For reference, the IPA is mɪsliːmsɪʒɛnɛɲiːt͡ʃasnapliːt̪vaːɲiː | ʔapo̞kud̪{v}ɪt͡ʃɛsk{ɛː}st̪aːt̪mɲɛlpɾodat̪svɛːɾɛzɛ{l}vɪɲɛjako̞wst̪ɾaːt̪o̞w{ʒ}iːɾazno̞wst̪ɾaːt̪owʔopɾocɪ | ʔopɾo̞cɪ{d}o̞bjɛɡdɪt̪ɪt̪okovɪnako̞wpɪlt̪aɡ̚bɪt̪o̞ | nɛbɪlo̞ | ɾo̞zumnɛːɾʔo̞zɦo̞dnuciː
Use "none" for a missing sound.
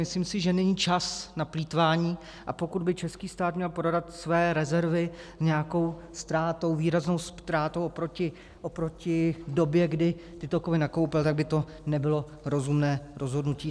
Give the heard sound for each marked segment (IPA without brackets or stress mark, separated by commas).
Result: b, iː, ɾ, v, d